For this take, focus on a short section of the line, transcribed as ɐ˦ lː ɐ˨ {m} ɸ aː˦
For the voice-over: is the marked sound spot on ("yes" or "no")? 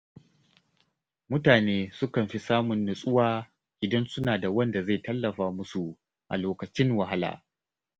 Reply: no